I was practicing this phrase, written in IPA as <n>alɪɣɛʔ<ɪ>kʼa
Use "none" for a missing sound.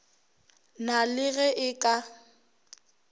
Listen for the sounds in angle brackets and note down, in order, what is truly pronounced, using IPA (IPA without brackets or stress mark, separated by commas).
n, ɪ